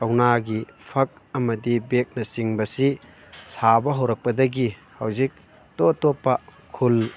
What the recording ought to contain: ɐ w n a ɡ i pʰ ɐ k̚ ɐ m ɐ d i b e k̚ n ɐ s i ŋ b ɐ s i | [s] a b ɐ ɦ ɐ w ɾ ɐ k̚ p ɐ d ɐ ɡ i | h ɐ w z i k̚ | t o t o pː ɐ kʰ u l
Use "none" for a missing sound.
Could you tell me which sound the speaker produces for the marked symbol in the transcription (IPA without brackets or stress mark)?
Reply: s